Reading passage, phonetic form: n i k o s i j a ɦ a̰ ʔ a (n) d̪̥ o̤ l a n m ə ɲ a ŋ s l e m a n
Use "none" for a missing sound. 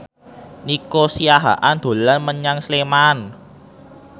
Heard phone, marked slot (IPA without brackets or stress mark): n